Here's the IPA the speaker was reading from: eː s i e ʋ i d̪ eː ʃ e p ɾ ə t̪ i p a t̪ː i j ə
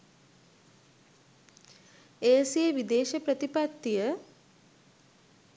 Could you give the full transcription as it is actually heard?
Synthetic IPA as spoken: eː s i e ʋ i d̪ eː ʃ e p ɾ ə t̪ i p a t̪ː i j ə